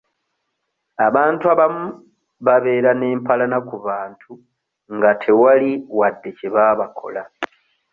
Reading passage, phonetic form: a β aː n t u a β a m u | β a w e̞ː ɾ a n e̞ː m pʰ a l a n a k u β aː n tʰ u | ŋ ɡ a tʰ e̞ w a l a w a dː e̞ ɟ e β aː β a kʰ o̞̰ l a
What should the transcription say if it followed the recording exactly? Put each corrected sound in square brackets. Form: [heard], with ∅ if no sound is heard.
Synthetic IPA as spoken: a β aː n t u a β a m u | β a [β] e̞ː ɾ a n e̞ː m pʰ a l a n a k u β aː n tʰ u | ŋ ɡ a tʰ e̞ w a l [i] w a dː e̞ [c] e β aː β a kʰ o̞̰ l a